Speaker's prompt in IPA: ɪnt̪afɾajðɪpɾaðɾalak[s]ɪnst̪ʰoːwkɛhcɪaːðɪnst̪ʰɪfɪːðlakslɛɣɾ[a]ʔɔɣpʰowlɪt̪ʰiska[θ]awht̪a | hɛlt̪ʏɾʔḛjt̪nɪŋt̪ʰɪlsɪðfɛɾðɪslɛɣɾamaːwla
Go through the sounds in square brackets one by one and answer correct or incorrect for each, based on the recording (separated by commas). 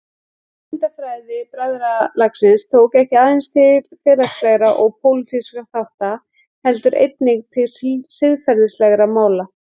correct, correct, correct